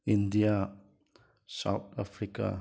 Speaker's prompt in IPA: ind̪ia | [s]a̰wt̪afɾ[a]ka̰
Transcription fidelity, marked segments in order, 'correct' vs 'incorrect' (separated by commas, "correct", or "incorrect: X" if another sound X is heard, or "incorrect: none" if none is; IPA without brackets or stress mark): correct, incorrect: i